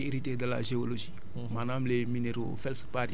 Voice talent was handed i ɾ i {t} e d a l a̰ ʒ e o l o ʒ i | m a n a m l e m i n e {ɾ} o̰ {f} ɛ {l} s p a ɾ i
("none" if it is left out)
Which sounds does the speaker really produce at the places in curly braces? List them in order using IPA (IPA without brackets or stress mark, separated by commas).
t, ɾ, f, l